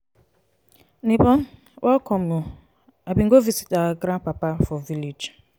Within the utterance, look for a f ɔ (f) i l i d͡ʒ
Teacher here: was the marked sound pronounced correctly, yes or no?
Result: no